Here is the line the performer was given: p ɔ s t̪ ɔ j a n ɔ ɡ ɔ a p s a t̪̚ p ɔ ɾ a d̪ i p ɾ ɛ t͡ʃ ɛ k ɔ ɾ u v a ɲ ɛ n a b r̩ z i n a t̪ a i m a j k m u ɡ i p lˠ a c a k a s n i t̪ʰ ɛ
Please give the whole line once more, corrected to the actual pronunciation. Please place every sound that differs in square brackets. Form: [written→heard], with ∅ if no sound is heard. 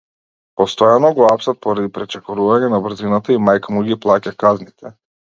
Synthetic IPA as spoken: p ɔ s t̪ ɔ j a n ɔ ɡ ɔ a p s a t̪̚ p ɔ ɾ a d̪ i p ɾ ɛ t͡ʃ ɛ k ɔ ɾ u v a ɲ ɛ n a b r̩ z i n a t̪ a i m a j k m u ɡ i p lˠ a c a k a [s→z] n i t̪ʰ ɛ